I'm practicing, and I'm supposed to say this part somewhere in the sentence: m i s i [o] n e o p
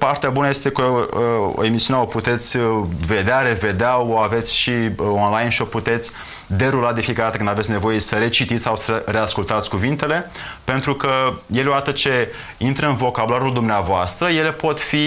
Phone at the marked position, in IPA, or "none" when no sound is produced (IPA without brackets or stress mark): u